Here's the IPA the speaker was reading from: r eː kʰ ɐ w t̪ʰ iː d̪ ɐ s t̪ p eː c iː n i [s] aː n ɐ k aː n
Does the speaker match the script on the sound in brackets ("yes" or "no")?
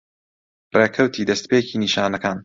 no